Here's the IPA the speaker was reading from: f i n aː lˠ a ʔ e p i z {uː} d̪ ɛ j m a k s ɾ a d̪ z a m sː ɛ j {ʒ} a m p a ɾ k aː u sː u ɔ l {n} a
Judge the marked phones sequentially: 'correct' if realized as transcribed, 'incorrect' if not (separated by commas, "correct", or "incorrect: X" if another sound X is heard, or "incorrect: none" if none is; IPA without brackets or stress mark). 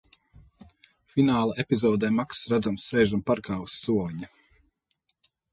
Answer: incorrect: ɔː, correct, incorrect: ɲ